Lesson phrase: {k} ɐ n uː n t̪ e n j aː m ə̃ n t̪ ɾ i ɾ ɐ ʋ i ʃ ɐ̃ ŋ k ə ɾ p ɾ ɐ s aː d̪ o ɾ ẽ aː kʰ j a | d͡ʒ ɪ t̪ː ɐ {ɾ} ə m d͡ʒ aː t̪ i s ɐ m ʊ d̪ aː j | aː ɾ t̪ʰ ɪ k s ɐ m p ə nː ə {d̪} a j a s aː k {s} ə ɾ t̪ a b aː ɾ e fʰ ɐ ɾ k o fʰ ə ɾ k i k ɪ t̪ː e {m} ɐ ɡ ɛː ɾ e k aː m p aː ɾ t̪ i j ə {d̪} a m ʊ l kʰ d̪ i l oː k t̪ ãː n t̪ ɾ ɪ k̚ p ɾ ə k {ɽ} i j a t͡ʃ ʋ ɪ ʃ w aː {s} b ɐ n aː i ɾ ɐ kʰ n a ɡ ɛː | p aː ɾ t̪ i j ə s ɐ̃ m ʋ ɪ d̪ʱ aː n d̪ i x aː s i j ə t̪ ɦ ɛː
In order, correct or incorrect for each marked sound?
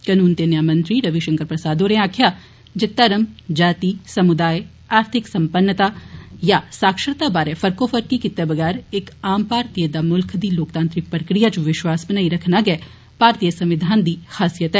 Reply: correct, correct, incorrect: t̪, incorrect: ʃ, incorrect: b, correct, incorrect: ɾ, correct

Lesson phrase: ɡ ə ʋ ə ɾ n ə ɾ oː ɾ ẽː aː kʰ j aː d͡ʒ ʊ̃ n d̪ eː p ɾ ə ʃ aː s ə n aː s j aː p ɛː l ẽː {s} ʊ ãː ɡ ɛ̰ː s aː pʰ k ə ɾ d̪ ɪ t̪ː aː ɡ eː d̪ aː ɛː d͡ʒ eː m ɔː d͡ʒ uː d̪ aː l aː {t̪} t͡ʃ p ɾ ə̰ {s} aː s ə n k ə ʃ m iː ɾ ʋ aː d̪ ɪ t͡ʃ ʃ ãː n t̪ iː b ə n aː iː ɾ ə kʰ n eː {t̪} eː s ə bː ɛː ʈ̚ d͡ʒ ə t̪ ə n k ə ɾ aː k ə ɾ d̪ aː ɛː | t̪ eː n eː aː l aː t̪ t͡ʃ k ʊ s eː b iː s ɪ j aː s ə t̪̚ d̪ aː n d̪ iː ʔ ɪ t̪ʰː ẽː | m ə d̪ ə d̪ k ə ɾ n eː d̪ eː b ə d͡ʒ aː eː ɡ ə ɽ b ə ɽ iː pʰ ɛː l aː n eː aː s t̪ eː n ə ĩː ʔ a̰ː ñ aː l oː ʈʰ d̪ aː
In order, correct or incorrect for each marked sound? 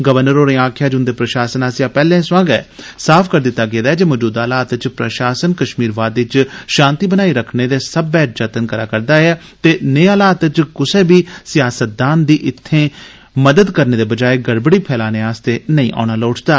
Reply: correct, correct, incorrect: ʃ, incorrect: d̪

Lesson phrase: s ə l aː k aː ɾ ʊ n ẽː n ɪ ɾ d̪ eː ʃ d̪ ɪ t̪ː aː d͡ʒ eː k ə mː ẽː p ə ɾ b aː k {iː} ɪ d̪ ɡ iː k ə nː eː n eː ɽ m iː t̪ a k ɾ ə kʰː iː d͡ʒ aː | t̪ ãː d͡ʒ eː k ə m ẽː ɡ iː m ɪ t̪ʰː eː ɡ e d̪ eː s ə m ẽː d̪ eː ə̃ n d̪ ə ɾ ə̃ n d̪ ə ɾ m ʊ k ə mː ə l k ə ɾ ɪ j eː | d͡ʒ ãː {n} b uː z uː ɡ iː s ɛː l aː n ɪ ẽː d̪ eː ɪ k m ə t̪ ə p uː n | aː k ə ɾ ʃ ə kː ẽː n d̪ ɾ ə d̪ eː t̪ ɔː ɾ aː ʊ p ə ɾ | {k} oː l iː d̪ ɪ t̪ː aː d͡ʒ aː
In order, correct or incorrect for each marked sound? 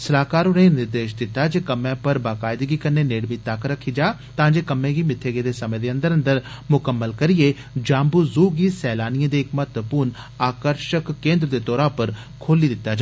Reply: incorrect: aː, incorrect: m, incorrect: kʰ

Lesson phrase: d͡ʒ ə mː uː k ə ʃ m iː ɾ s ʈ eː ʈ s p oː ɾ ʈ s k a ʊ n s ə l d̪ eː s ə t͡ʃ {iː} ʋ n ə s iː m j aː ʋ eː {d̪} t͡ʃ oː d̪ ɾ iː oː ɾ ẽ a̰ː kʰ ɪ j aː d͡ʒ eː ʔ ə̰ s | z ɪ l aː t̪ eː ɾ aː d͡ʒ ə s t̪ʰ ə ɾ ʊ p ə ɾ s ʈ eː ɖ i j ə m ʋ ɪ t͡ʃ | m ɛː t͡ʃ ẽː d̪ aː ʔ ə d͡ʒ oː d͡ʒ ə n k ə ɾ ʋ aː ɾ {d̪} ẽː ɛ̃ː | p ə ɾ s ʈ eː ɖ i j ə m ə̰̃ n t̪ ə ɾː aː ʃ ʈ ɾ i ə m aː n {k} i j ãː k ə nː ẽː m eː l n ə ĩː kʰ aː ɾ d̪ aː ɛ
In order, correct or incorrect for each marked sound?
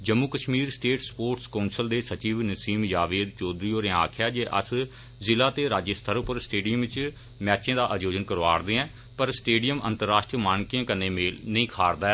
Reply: correct, correct, correct, correct

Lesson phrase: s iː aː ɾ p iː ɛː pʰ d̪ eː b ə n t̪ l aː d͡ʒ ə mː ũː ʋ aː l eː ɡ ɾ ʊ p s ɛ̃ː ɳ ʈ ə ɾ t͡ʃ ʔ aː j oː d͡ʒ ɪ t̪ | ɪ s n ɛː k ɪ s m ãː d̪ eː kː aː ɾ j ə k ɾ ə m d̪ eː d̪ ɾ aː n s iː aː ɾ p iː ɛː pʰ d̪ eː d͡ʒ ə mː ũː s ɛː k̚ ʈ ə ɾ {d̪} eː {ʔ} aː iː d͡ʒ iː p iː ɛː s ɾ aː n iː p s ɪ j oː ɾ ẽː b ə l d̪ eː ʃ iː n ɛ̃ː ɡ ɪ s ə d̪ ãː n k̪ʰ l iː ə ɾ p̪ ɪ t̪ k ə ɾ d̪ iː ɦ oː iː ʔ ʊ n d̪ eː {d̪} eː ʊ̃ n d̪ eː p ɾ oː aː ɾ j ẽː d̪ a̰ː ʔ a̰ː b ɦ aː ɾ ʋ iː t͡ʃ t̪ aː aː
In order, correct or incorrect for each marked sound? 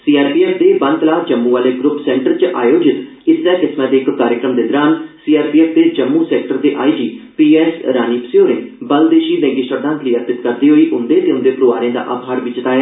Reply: correct, correct, incorrect: t̪

